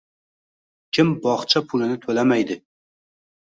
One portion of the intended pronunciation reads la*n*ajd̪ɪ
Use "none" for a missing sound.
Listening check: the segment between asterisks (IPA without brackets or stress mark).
m